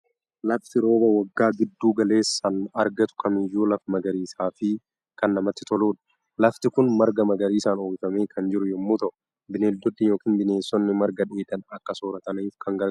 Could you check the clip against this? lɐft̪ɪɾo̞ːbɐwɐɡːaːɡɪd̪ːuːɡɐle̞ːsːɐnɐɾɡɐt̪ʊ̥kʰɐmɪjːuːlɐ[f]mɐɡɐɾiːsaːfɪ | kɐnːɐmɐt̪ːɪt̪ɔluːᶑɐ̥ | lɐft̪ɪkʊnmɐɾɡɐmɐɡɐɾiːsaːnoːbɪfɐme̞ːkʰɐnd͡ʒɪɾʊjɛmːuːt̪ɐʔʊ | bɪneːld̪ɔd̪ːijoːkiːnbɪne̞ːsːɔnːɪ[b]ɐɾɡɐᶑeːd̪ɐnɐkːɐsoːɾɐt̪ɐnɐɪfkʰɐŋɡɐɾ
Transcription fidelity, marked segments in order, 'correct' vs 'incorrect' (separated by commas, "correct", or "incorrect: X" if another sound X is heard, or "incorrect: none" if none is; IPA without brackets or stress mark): correct, incorrect: m